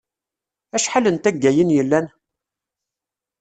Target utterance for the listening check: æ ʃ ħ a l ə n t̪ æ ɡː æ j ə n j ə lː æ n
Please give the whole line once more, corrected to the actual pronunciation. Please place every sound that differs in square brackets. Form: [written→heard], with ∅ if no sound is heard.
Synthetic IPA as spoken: æ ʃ ħ a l ə n t̪ æ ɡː æ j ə n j ə lː æ n